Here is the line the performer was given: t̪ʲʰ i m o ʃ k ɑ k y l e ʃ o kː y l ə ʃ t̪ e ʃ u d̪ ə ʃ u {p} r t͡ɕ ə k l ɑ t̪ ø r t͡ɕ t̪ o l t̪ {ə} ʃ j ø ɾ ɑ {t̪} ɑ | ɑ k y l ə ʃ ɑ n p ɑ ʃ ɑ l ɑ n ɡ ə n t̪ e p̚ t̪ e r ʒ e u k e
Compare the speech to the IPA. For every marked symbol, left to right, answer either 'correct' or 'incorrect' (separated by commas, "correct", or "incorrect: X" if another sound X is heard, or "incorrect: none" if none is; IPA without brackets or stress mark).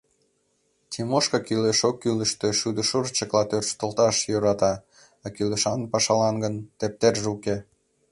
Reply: incorrect: none, incorrect: ɑ, correct